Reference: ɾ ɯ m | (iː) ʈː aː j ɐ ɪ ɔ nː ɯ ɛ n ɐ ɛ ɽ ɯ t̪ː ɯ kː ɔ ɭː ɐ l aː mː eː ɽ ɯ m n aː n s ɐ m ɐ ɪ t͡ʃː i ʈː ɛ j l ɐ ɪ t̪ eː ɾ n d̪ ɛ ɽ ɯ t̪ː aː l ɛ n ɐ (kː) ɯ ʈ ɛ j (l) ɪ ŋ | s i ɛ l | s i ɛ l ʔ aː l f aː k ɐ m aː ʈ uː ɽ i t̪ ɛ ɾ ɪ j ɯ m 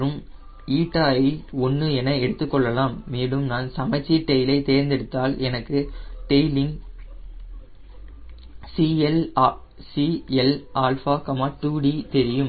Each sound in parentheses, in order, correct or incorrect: correct, correct, correct

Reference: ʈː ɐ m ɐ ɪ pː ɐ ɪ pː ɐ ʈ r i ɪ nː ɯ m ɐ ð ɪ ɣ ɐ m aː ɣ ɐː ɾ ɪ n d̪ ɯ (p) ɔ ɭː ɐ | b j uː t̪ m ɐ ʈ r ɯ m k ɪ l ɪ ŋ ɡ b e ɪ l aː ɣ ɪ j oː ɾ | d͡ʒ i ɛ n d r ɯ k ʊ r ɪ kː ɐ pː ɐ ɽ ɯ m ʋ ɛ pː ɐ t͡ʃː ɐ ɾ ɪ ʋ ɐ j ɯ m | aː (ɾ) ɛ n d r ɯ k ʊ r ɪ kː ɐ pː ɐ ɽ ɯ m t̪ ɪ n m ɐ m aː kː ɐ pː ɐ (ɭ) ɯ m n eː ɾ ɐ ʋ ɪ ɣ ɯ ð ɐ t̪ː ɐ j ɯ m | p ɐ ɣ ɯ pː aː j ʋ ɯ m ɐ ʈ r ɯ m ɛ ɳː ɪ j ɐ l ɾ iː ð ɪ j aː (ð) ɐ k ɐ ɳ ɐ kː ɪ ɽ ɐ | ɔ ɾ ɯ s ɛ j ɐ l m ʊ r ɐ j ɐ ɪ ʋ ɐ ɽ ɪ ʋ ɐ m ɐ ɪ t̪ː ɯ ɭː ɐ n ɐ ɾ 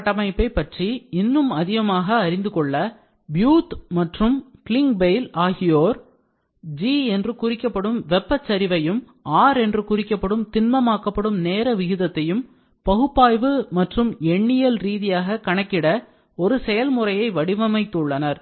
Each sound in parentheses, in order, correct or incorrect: incorrect: k, correct, incorrect: ɽ, incorrect: ɣ

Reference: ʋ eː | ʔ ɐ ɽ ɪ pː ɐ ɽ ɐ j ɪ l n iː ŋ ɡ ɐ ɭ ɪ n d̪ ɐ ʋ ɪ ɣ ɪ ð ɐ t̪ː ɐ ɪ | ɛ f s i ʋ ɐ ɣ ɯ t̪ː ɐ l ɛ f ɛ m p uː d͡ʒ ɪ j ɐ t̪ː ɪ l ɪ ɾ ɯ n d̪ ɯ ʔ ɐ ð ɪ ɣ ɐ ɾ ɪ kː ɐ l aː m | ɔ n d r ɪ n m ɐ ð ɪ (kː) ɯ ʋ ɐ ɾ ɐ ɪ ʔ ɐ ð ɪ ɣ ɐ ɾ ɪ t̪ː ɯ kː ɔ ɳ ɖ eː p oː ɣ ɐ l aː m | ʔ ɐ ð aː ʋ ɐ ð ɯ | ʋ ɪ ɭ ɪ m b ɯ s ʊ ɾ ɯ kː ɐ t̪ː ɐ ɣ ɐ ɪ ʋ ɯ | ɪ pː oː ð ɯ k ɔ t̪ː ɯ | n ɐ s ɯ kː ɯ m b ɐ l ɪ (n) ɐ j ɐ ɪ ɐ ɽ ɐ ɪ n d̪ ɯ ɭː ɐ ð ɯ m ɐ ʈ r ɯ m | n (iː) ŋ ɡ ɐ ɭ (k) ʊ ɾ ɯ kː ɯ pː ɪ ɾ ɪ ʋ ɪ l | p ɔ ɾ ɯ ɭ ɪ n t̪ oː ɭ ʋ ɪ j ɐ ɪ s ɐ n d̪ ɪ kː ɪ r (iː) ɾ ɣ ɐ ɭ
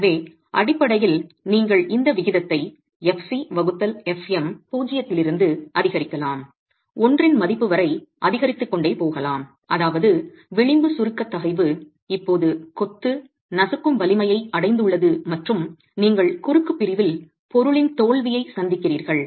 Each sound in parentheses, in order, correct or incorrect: incorrect: pː, incorrect: m, correct, correct, correct

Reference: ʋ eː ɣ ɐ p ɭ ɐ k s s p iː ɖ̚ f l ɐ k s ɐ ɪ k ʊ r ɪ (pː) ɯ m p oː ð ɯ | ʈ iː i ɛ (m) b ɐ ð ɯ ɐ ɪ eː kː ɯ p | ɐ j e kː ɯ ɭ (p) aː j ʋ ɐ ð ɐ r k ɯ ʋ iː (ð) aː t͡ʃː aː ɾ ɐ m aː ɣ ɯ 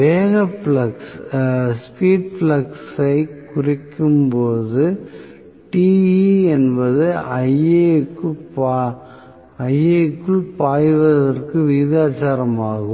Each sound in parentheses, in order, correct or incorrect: incorrect: kː, incorrect: n, correct, correct

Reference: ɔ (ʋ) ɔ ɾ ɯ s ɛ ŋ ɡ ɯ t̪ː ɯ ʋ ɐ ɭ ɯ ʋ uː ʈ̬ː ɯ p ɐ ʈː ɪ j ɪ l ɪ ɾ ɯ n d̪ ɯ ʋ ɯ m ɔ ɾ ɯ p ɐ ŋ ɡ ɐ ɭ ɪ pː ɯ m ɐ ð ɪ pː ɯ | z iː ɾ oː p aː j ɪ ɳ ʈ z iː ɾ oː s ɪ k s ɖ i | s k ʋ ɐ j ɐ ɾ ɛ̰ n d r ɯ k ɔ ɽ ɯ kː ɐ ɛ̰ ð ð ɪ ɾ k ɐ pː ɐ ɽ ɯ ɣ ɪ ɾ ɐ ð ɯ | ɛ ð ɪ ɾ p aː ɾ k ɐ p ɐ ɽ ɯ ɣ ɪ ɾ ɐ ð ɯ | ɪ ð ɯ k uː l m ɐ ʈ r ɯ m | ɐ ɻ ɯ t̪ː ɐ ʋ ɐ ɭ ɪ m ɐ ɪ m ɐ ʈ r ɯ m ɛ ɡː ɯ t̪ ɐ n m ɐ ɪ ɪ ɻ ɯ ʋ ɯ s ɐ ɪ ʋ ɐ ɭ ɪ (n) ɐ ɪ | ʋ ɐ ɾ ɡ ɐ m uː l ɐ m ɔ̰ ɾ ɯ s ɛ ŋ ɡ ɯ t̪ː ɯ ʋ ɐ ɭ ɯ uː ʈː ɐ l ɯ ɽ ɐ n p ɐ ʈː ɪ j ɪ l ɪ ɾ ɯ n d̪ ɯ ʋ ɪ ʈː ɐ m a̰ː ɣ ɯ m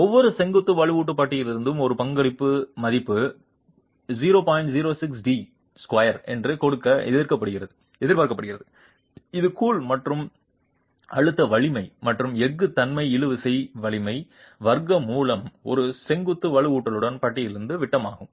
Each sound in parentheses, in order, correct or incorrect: incorrect: ʋː, incorrect: m

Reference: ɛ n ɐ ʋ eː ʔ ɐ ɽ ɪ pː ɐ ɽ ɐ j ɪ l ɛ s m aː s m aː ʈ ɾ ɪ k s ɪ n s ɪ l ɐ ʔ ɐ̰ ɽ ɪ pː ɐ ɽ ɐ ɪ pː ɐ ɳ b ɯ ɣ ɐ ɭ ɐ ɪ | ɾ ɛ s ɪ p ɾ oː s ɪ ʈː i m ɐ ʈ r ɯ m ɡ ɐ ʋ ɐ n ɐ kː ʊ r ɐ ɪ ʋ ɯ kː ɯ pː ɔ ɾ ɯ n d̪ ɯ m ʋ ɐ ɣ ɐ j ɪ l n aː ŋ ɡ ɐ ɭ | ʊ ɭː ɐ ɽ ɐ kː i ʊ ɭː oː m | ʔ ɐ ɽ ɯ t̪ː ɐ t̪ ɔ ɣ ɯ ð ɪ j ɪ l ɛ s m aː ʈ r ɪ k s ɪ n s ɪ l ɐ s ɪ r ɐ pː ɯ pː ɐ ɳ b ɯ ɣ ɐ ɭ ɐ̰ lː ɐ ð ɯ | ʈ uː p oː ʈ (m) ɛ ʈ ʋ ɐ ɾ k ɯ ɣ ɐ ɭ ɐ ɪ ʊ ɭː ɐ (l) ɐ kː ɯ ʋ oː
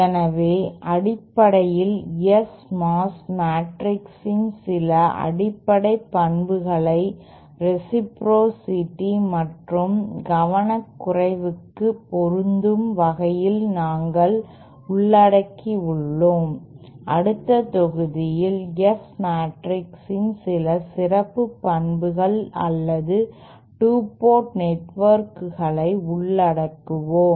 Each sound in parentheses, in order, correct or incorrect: incorrect: n, incorrect: ɽ

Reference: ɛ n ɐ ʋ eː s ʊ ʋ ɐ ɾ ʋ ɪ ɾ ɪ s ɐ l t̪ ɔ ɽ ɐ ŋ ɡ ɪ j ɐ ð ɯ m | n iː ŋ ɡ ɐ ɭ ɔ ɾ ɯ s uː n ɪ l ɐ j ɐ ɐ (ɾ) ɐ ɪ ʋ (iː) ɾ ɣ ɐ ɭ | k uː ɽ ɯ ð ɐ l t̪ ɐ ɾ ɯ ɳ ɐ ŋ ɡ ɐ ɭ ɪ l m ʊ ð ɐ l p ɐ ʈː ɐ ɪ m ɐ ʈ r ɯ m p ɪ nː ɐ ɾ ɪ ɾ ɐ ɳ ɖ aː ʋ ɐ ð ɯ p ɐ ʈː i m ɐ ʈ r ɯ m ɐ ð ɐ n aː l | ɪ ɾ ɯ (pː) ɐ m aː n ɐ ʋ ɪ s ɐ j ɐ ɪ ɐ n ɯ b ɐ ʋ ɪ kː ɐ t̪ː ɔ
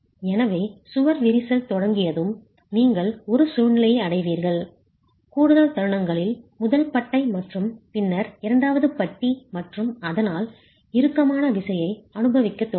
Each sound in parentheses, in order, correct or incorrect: incorrect: ɽ, correct, incorrect: kː

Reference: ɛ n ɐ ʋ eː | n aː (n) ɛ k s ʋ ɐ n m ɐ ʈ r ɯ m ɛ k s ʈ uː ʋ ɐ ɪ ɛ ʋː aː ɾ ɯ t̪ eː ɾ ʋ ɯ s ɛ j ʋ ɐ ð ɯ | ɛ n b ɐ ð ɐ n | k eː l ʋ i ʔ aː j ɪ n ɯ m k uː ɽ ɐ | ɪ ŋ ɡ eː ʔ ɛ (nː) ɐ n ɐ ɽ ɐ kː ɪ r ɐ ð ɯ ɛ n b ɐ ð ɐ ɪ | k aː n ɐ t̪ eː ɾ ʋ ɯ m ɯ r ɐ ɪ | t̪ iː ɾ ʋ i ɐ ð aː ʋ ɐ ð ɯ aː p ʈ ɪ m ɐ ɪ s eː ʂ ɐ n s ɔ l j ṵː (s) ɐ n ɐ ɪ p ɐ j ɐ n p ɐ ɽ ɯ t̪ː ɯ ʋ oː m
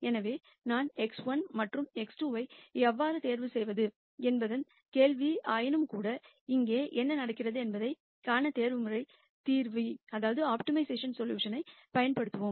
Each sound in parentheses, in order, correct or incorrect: correct, correct, incorrect: ʂ

